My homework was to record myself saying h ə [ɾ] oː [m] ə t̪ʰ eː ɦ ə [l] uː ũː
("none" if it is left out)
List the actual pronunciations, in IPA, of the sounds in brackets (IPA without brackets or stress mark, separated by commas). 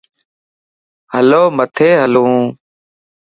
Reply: l, m, l